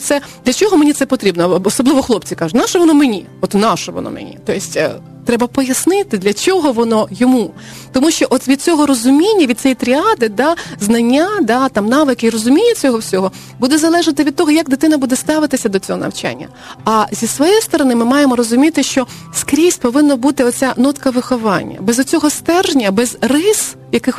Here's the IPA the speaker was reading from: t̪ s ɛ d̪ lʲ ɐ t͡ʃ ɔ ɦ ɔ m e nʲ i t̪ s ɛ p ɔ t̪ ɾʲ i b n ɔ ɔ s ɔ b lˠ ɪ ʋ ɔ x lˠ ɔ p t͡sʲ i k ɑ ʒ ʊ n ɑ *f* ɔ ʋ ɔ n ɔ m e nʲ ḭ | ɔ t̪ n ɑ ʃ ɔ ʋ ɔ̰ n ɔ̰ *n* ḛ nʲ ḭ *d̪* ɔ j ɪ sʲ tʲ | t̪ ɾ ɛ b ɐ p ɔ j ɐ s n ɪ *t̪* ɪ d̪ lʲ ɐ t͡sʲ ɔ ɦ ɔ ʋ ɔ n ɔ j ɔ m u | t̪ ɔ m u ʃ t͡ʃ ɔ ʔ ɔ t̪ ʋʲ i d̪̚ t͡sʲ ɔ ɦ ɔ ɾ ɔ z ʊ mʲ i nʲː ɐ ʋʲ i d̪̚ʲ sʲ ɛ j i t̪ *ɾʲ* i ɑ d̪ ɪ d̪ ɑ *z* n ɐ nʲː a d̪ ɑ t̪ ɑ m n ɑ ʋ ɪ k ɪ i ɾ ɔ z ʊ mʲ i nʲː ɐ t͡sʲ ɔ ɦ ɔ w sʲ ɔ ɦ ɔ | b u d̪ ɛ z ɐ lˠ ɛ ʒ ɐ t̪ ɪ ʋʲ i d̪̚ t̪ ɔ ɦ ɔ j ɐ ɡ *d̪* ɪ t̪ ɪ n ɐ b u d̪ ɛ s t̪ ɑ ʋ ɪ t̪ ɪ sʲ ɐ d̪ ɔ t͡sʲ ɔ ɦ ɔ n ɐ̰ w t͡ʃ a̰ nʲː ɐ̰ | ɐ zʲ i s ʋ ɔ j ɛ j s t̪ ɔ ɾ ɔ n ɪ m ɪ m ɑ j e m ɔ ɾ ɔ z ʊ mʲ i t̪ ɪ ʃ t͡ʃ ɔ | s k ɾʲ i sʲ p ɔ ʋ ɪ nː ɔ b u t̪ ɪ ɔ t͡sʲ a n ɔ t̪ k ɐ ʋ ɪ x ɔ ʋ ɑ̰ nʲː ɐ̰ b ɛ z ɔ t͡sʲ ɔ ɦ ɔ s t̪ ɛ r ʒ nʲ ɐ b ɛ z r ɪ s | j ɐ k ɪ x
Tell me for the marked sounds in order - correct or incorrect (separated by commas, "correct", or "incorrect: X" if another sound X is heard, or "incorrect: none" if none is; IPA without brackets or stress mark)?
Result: incorrect: ʃ, incorrect: m, incorrect: t̪, correct, correct, correct, correct